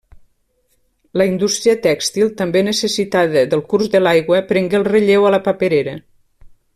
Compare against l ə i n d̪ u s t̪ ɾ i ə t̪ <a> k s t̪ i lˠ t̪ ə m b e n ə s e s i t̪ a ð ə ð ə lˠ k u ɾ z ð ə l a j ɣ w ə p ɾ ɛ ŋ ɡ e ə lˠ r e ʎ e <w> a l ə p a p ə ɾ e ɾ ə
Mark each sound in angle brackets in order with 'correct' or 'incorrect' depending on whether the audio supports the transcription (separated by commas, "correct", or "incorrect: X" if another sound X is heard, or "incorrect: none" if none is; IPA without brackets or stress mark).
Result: incorrect: ɛ, correct